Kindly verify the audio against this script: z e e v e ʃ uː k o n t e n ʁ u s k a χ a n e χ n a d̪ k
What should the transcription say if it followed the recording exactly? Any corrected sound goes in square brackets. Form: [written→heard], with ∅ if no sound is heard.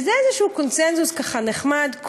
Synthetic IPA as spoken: z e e [v→z] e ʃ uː k o n [t→s] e n [ʁ→z] u s k a χ a n e χ [n→m] a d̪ k